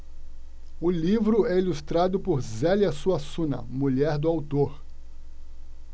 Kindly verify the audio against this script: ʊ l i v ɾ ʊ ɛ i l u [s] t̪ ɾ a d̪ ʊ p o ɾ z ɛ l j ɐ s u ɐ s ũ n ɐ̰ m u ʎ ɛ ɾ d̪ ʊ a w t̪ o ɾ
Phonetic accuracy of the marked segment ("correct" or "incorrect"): correct